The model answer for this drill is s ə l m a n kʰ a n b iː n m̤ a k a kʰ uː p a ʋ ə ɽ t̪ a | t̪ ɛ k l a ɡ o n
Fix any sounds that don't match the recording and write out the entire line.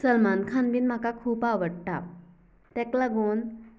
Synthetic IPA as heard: s ə l m a n kʰ a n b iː n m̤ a k a kʰ uː p a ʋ ə ɽ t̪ a | t̪ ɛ k l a ɡ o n